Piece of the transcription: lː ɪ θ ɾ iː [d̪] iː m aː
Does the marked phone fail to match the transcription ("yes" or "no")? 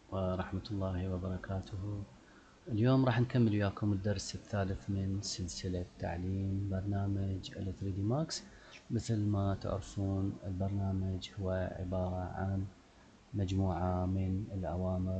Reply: no